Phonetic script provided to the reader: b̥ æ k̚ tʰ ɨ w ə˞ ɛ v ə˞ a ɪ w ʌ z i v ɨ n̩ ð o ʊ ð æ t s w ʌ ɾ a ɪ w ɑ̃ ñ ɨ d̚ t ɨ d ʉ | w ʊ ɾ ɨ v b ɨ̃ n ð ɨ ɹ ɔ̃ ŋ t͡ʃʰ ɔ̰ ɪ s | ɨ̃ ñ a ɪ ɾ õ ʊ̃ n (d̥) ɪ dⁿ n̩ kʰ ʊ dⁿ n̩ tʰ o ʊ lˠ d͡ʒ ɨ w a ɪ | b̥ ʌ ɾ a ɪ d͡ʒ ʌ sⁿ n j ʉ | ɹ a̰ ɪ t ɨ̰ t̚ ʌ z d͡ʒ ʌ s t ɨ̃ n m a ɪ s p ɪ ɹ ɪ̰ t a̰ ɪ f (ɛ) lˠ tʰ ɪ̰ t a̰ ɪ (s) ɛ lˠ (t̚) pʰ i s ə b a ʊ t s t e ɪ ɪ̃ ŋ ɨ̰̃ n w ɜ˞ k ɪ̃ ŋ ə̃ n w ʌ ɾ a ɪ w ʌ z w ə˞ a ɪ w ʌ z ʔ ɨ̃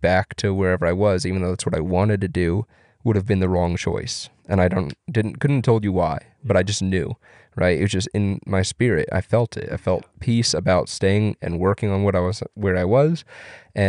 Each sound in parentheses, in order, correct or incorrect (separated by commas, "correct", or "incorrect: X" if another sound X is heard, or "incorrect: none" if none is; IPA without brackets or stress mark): correct, correct, incorrect: f, correct